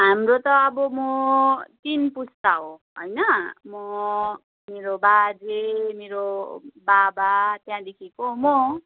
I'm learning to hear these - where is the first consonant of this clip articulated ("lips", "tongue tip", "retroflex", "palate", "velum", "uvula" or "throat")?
throat